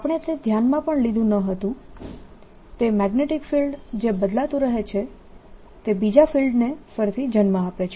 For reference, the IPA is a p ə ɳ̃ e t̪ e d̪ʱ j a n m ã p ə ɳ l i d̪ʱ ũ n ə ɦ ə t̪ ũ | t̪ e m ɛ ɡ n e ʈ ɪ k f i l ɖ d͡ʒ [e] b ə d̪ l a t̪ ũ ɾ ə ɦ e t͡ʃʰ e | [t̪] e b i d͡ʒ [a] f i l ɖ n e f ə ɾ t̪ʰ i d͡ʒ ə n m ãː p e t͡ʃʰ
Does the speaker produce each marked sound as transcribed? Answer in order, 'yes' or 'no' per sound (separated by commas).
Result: yes, yes, yes